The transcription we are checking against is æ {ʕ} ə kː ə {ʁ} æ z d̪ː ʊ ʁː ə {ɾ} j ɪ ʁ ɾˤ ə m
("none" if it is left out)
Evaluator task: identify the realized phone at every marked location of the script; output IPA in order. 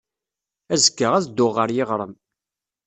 z, ʁ, ɾ

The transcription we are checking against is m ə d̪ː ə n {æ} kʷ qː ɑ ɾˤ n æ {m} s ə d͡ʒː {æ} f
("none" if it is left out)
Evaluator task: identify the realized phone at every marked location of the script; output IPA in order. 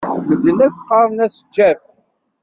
æ, none, æ

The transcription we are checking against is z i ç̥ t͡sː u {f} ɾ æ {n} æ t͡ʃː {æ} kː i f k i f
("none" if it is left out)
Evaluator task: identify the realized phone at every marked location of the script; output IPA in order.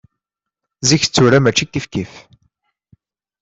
none, m, i

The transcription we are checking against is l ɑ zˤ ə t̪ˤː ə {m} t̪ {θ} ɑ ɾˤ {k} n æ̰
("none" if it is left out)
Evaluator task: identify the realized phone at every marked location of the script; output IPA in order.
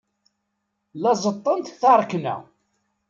n, θ, k

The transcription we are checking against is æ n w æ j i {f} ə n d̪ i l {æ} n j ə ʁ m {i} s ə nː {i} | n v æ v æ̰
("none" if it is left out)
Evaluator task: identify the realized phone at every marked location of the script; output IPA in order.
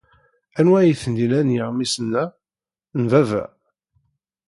θ, æ, i, æ

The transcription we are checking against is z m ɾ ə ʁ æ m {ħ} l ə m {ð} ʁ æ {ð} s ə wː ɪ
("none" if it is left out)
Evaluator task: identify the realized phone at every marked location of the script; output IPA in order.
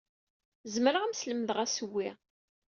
s, ð, none

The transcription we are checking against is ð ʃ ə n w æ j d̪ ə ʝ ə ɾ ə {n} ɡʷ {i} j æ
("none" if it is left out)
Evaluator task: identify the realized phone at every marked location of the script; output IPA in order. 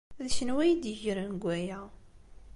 n, æ

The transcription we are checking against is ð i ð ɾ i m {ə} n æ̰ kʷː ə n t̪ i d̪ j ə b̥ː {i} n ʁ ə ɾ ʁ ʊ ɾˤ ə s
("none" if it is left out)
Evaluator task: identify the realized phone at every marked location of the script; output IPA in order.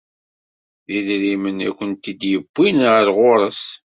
ə, i

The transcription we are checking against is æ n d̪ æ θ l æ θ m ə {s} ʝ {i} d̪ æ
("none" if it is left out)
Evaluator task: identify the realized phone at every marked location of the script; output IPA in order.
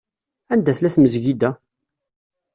z, i

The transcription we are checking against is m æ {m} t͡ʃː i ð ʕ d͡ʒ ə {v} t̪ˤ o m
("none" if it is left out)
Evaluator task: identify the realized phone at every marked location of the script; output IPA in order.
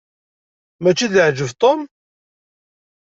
none, v

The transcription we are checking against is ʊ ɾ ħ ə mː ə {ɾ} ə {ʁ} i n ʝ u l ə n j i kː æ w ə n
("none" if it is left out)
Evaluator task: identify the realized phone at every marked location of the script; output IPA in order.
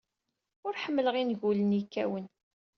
l, ʁ

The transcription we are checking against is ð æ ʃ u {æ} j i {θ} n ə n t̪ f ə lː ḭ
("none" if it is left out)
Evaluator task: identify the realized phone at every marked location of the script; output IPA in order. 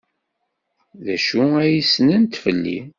æ, s

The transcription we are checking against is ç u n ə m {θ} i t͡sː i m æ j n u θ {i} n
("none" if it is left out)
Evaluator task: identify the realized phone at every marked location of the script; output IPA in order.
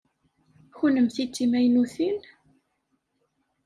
θ, i

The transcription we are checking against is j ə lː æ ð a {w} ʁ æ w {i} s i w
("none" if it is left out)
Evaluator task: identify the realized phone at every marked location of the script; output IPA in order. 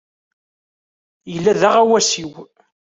none, æ

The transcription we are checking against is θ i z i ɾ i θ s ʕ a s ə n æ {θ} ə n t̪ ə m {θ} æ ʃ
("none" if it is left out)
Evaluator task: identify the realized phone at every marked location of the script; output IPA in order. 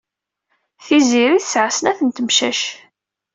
θ, ʃ

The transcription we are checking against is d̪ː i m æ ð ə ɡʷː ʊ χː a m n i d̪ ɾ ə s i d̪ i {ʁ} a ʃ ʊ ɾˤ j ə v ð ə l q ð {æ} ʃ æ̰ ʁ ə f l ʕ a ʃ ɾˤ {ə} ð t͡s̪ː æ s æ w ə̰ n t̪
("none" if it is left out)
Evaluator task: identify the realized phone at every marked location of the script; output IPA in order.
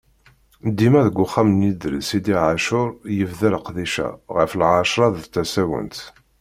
ʕ, i, ɑ

